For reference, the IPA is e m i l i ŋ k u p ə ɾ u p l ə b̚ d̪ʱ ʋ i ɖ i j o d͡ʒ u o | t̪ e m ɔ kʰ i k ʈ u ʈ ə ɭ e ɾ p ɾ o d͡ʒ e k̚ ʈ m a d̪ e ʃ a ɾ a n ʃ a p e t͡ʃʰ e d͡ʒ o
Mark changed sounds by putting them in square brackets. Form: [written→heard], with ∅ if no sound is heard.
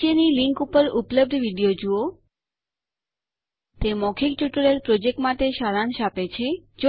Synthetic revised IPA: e [m→n] i l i ŋ k u p ə ɾ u p l ə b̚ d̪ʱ ʋ i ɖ i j o d͡ʒ u o | t̪ e m ɔ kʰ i k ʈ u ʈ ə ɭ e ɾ p ɾ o d͡ʒ e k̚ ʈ m a [d̪→t̪] e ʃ a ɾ a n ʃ a p e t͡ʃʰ e d͡ʒ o